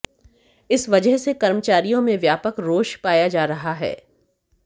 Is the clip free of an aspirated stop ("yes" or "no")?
yes